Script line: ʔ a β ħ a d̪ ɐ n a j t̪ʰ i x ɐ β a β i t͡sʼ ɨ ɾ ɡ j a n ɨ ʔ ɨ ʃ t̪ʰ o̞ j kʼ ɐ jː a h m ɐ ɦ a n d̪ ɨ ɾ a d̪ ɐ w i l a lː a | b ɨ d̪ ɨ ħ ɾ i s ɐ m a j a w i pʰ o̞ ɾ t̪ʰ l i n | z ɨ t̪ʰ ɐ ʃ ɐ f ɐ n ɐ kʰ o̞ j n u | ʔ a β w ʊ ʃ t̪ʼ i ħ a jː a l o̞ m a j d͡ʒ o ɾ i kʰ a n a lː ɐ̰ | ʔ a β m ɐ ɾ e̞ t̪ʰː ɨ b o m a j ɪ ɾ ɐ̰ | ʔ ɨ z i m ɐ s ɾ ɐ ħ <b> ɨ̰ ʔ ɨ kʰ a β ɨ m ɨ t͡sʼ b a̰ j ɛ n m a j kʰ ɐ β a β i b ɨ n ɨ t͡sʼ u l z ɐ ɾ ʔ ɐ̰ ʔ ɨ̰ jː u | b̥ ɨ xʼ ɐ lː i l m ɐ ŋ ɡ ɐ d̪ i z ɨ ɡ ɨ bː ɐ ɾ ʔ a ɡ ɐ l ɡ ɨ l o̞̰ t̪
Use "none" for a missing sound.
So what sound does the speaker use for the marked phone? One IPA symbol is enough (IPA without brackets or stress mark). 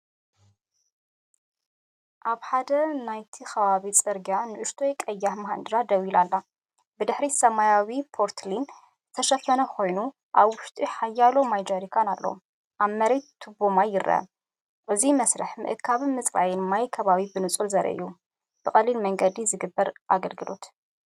m